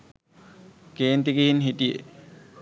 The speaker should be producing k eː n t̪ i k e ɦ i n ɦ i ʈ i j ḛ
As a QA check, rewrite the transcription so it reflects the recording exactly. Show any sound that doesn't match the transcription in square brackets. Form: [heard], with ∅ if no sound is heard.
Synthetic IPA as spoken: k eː n t̪ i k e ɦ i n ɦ i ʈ i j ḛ